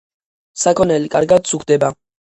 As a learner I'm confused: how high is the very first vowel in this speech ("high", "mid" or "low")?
low